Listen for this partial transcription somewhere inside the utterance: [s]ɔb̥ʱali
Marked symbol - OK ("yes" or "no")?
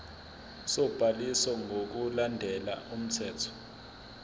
yes